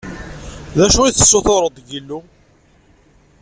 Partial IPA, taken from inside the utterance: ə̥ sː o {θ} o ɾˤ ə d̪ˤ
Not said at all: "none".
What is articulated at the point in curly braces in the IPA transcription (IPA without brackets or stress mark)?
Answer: θ